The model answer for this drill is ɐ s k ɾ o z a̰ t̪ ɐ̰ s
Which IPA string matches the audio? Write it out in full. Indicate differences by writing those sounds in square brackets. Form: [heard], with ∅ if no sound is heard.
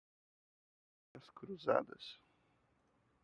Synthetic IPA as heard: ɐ s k ɾ [u] z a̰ [d̪] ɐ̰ s